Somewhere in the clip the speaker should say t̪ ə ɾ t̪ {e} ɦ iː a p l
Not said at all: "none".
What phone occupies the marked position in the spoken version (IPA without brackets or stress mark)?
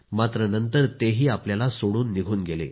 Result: e